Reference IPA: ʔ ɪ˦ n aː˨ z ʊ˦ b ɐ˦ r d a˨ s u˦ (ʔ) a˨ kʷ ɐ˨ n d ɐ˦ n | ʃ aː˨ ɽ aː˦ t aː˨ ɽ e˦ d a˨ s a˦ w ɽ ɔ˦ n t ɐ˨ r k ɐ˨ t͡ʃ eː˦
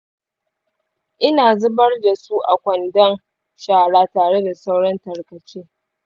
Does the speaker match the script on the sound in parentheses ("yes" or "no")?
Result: yes